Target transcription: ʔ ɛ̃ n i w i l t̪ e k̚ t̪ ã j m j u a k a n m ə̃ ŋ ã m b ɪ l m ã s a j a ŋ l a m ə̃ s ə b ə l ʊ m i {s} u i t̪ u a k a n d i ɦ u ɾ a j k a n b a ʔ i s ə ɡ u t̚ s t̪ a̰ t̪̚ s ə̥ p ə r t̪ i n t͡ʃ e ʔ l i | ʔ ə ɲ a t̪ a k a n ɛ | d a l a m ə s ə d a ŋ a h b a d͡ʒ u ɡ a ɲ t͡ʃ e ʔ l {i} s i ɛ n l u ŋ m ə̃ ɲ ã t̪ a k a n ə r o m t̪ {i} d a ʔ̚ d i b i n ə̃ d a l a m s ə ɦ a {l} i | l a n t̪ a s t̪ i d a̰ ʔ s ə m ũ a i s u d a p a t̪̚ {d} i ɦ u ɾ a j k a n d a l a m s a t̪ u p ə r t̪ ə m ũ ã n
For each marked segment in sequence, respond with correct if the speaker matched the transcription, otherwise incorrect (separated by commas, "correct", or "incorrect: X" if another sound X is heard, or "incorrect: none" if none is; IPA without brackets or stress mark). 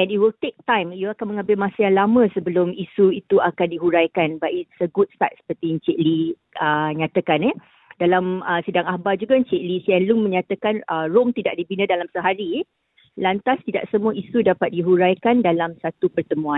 correct, correct, correct, incorrect: ɾ, correct